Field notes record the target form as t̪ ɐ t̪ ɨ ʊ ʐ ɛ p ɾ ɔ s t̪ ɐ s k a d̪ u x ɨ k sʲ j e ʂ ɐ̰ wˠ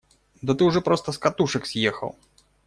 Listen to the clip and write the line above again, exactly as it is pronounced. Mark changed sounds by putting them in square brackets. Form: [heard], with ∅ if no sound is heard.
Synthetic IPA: [d̪] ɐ t̪ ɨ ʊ ʐ ɛ p ɾ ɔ s t̪ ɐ s k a [t̪] u [ʂ] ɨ k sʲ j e [x] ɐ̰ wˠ